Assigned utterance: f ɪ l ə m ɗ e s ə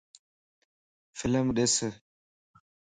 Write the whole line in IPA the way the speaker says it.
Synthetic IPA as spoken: f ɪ l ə m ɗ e s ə